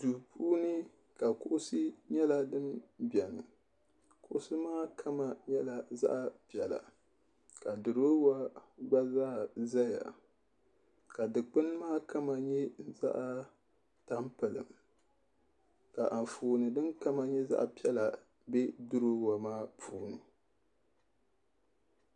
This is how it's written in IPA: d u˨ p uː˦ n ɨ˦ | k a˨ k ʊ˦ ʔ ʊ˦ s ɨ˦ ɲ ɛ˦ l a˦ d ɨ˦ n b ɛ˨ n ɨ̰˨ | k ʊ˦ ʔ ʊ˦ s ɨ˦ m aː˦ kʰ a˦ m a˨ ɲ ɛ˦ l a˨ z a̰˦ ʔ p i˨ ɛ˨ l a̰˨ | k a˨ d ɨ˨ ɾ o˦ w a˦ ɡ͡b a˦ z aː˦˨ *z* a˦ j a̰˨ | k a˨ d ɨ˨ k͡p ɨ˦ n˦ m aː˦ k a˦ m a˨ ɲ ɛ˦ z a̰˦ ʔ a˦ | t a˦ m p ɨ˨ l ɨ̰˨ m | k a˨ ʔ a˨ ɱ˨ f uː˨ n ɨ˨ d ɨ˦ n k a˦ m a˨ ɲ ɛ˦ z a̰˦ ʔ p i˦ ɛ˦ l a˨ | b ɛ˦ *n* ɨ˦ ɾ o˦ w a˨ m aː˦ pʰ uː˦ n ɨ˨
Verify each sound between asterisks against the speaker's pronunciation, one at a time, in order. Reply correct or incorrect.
correct, incorrect

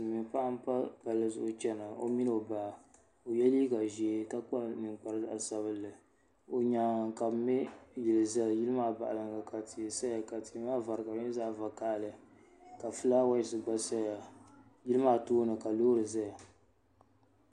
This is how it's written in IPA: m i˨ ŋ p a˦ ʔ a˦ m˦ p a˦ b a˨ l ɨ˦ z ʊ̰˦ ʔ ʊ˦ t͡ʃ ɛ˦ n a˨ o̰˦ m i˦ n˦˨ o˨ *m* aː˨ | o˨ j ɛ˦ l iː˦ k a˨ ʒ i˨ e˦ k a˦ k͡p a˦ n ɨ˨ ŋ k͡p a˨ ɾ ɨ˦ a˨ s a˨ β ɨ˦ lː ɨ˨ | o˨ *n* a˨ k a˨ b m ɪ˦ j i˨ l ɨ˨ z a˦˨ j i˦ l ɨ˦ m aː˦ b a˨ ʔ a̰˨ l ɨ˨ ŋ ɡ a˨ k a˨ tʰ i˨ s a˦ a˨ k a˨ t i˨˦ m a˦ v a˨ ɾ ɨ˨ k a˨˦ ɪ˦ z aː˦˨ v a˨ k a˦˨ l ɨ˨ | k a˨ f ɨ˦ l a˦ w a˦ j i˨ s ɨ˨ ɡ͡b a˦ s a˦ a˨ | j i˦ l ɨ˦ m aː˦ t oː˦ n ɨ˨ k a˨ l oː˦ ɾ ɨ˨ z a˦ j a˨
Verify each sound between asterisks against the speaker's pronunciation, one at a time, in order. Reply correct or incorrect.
incorrect, incorrect

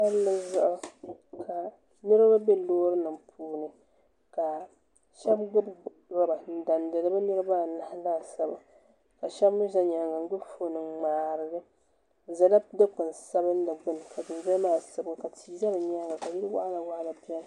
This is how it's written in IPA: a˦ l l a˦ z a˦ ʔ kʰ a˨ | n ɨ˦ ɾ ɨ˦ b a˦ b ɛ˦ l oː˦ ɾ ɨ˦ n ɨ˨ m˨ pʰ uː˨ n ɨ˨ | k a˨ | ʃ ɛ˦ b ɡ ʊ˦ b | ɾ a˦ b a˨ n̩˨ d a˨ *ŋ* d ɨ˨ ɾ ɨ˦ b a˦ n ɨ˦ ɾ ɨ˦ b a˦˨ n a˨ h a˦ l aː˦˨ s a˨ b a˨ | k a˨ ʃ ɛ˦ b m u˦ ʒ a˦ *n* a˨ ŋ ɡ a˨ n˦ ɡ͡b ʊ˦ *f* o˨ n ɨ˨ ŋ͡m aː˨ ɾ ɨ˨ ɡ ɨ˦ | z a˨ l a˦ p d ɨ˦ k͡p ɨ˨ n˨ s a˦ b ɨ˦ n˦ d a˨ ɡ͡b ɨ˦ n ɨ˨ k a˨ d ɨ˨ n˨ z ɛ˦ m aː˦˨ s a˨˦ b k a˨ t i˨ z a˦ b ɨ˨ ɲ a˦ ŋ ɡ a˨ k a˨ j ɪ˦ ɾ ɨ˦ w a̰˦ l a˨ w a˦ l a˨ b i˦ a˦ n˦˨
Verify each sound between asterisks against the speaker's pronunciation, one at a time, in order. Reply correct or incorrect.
incorrect, incorrect, correct

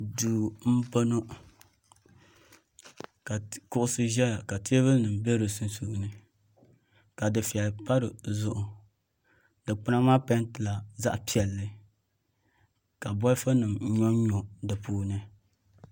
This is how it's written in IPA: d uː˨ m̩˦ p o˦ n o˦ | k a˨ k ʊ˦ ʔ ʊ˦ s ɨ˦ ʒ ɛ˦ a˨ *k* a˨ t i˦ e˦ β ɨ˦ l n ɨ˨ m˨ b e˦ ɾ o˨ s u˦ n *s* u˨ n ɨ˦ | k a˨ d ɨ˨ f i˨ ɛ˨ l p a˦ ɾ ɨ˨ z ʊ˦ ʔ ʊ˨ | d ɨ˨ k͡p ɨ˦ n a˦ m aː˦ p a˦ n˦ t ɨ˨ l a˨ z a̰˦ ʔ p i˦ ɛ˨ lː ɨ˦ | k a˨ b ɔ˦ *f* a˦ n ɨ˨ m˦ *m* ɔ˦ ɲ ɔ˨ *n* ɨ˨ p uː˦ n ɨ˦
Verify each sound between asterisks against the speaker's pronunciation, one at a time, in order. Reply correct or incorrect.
correct, correct, correct, incorrect, incorrect

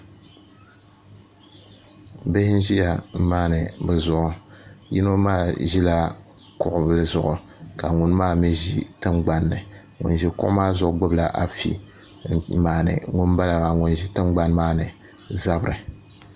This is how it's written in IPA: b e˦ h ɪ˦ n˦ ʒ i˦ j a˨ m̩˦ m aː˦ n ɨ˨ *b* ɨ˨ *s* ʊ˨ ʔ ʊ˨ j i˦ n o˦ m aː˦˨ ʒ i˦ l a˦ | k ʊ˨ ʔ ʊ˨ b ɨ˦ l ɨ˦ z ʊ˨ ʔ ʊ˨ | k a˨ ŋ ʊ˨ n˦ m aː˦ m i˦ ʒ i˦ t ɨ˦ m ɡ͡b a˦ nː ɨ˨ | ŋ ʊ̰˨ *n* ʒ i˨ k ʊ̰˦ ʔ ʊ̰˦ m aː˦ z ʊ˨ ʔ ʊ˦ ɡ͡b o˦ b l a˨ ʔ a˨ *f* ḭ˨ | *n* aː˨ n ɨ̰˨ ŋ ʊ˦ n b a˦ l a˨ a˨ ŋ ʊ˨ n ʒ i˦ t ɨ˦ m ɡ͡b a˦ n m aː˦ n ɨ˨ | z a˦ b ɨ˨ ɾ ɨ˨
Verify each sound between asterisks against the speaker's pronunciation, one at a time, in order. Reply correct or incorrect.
correct, incorrect, correct, correct, incorrect

